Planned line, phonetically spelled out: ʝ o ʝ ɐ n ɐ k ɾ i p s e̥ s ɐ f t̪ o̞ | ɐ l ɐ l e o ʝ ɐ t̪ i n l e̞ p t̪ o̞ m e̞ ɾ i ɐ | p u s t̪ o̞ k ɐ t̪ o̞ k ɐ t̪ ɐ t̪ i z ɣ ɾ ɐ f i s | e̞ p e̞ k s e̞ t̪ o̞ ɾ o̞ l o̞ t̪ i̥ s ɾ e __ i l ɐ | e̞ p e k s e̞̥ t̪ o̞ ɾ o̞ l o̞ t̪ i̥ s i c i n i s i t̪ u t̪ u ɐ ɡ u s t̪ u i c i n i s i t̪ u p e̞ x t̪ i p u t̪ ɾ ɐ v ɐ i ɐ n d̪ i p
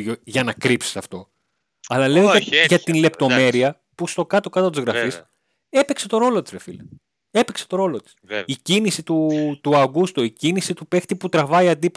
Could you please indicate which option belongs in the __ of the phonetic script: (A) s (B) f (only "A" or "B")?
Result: B